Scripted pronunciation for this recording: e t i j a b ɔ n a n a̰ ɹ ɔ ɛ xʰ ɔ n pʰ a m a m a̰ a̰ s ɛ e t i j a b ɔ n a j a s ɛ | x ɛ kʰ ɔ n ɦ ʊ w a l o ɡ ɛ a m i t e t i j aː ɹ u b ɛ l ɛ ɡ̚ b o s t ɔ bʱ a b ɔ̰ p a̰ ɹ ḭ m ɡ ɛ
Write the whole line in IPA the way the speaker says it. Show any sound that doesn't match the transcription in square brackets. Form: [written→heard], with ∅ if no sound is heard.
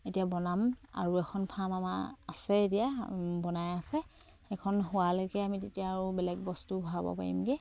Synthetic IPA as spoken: e t i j a b ɔ n a [n→m] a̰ ɹ [ɔ→u] ɛ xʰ ɔ n pʰ a m a m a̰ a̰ s ɛ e t i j a b ɔ n a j a s ɛ | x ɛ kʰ ɔ n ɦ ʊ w a l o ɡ ɛ a m i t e t i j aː ɹ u b ɛ l ɛ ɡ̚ b [o→ɔ] s t [ɔ→u] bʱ a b ɔ̰ p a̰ ɹ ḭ m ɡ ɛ